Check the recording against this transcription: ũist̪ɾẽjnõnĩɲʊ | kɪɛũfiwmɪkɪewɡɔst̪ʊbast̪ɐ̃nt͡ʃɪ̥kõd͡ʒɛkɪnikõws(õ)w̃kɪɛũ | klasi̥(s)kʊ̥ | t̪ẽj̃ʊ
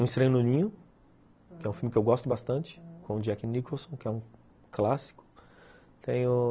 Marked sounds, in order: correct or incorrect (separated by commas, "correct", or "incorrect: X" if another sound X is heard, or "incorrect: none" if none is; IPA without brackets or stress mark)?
correct, incorrect: none